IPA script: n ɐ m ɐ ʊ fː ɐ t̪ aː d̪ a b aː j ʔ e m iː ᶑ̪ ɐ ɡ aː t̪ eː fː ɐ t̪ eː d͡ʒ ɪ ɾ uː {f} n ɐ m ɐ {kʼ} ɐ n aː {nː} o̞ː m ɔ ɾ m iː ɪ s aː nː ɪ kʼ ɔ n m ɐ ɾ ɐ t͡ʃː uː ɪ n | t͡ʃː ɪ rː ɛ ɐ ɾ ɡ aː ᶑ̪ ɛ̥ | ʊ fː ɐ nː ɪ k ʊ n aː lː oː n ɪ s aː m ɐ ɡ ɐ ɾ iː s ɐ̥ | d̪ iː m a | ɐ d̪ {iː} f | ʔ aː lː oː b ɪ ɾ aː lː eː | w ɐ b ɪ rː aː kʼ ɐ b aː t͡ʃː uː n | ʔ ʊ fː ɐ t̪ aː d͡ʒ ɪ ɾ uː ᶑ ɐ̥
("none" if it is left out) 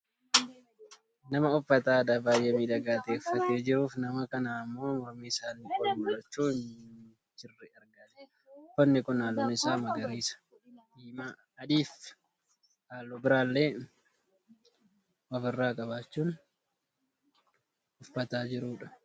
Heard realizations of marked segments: f, k, mː, iː

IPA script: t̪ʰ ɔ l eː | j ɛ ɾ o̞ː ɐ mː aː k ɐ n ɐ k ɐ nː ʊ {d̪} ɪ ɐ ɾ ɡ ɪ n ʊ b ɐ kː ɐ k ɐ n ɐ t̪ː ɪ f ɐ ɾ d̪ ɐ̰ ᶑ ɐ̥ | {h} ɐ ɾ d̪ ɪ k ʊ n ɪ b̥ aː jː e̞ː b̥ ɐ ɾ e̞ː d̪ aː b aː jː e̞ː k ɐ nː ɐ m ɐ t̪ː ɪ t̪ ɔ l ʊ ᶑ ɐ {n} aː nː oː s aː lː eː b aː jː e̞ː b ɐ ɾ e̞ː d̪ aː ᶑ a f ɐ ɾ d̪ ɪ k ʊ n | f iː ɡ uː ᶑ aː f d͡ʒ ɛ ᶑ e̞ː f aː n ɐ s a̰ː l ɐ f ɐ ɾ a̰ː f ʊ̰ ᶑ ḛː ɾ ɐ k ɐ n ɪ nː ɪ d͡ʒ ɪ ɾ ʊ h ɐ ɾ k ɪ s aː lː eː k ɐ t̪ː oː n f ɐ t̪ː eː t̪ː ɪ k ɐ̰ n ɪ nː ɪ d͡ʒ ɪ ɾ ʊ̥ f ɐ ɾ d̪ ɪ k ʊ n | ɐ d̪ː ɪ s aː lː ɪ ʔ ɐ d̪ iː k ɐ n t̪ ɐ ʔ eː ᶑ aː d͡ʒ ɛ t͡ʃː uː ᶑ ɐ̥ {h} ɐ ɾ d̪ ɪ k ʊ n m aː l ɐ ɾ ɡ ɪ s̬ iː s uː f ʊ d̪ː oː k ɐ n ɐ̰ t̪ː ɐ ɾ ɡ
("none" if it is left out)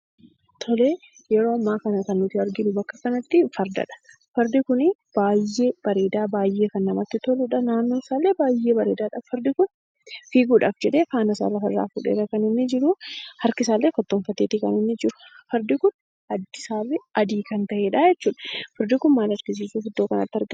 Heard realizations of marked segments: t̪, f, n, f

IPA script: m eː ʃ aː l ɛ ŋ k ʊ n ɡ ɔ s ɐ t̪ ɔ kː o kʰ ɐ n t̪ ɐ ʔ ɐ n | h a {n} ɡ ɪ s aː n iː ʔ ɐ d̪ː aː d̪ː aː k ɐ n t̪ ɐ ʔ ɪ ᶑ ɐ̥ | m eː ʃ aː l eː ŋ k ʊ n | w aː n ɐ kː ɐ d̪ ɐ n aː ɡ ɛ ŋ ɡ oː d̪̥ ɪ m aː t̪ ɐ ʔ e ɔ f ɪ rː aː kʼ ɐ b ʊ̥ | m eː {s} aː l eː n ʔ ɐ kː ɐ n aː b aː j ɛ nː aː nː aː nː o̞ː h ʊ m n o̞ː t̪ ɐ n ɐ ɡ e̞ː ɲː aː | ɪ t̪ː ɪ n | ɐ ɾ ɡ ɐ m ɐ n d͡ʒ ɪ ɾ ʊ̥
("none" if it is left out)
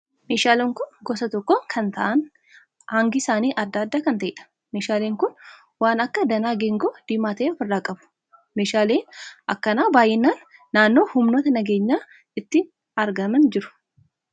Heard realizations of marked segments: ŋ, ʃ

